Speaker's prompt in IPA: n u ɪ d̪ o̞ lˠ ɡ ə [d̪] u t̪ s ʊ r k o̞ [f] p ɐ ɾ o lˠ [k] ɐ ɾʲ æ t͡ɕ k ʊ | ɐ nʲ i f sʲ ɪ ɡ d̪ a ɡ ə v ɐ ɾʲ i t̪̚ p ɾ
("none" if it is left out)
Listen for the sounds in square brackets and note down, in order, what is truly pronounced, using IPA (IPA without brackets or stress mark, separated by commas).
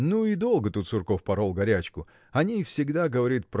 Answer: t̪, f, ɡ